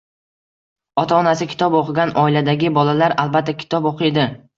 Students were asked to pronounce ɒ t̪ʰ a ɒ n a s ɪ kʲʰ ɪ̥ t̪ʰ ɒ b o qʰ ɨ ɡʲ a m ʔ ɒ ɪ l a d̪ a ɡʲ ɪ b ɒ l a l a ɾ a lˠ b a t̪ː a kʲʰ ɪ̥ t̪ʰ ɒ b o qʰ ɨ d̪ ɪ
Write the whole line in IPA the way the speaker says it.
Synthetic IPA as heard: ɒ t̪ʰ a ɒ n a s ɪ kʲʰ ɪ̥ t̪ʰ ɒ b o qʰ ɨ ɡʲ a n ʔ ɒ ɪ l a d̪ a ɡʲ ɪ b ɒ l a l a ɾ a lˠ b a t̪ː a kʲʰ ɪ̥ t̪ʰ ɒ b o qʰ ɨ d̪ ɪ